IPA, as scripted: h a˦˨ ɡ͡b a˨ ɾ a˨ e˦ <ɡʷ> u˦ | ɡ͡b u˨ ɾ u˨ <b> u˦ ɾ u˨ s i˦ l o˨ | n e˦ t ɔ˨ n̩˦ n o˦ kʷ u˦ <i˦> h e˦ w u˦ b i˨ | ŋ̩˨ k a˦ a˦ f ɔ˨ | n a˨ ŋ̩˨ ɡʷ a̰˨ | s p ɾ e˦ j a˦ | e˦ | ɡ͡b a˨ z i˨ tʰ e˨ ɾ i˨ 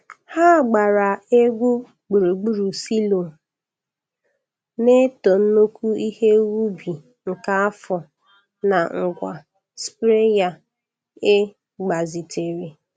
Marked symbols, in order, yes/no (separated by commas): yes, no, yes